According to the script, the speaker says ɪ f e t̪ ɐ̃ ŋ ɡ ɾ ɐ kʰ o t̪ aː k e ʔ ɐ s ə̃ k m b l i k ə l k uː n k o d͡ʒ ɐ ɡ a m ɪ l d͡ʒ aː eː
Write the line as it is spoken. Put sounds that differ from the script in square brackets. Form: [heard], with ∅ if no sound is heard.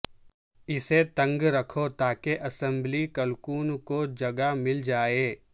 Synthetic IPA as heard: ɪ [s] e t̪ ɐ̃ ŋ ɡ ɾ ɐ kʰ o t̪ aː k e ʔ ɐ s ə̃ [∅] m b l i k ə l k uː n k o d͡ʒ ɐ ɡ a m ɪ l d͡ʒ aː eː